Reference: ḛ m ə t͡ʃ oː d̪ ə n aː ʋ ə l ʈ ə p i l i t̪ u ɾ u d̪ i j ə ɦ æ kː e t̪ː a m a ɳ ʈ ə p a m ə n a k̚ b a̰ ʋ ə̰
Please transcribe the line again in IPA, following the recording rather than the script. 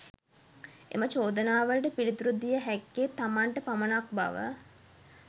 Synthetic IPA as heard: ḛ m ə t͡ʃ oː d̪ ə n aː ʋ ə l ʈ ə p i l i t̪ u ɾ u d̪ i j ə ɦ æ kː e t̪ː a m a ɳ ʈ ə p a m ə n a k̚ b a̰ ʋ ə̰